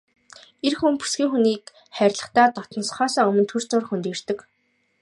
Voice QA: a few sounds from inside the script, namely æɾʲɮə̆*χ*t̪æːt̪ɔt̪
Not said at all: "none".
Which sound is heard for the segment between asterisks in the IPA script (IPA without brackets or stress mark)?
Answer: χ